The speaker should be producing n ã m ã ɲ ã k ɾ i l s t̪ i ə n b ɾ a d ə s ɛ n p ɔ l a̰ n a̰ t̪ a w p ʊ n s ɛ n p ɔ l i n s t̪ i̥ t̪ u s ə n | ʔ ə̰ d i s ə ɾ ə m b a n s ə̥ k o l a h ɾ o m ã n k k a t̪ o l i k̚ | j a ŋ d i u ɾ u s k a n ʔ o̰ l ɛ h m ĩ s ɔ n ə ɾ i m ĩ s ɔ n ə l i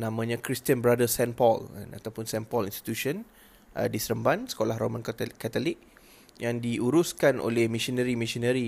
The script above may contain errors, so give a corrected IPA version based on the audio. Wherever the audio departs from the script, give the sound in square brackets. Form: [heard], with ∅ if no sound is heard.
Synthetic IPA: n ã m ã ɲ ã k ɾ i [∅] s t̪ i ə n b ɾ a d ə s ɛ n p ɔ l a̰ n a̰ t̪ a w p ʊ n s ɛ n p ɔ l i n s t̪ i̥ t̪ u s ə n | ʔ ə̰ d i s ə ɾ ə m b a n s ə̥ k o l a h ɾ o m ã n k k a t̪ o l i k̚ | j a ŋ d i u ɾ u s k a n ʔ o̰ l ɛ h m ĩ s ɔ n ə ɾ i m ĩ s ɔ n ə [ɾ] i